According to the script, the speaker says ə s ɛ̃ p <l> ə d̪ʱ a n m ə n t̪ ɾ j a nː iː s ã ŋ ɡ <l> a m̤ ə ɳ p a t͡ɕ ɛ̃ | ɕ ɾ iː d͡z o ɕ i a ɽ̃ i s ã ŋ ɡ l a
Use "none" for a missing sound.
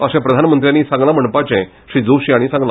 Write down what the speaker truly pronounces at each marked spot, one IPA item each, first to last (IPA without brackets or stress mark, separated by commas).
ɾ, l